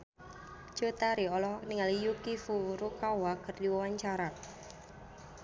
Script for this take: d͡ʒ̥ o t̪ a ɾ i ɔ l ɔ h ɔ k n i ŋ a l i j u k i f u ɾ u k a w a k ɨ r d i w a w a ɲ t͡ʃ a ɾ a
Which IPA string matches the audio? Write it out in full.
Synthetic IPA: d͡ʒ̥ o t̪ a ɾ i ɔ l ɔ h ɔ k n i ŋ a l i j u k i f u ɾ u k a w a k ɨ r d i w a w a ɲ t͡ʃ a ɾ a